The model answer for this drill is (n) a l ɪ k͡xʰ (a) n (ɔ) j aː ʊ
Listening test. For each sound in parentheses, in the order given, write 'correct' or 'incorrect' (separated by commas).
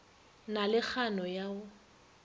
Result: correct, correct, correct